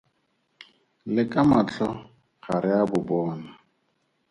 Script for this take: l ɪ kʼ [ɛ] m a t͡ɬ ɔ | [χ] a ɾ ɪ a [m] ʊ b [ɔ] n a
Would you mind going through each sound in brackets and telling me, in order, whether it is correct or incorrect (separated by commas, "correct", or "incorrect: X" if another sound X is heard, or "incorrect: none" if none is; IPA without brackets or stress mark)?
incorrect: a, correct, incorrect: b, incorrect: ɔː